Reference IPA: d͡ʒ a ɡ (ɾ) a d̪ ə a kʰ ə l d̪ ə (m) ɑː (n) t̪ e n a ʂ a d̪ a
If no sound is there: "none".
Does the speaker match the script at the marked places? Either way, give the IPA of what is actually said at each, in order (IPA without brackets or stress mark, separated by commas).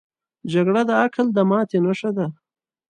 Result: ɽ, m, none